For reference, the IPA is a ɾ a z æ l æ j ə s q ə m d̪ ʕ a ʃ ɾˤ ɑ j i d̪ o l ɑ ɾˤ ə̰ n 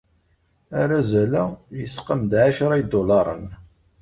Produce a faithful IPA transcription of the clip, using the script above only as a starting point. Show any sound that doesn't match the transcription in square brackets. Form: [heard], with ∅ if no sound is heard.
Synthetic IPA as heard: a ɾ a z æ l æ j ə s q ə m d̪ ʕ a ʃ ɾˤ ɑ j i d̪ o l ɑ ɾˤ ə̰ n